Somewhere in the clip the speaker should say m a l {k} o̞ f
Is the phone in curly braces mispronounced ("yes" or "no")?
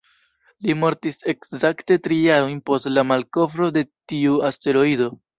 no